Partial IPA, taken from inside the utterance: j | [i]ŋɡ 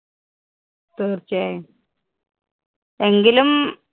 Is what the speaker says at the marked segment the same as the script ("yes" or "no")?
no